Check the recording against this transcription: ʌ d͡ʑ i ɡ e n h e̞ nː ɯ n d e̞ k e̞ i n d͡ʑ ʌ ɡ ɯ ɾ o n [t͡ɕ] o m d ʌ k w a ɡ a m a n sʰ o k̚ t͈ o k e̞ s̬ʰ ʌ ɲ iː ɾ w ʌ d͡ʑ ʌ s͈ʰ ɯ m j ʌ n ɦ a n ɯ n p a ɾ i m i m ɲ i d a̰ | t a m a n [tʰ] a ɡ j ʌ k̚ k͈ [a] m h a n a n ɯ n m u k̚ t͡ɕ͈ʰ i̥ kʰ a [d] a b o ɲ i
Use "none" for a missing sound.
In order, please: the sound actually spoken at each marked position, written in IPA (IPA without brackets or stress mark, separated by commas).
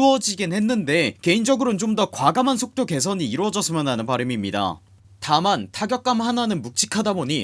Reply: t͡ɕ, tʰ, a, d